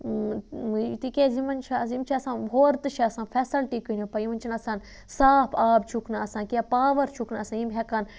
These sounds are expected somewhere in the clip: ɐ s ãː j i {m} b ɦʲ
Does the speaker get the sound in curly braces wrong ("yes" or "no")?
no